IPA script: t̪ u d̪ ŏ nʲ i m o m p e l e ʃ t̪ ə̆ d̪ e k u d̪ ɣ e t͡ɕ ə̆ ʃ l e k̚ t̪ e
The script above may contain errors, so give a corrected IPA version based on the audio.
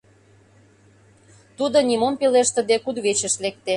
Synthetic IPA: t̪ u d̪ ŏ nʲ i m o m p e l e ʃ t̪ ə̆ d̪ e k u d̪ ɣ e t͡ɕ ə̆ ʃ l e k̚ t̪ e